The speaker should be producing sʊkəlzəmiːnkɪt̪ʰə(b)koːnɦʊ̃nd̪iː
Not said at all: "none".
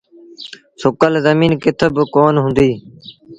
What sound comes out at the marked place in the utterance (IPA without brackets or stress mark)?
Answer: b